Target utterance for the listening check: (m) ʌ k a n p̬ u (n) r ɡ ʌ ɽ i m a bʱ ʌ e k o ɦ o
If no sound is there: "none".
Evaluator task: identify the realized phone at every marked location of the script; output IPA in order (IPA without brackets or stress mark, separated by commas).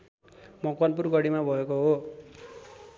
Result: m, none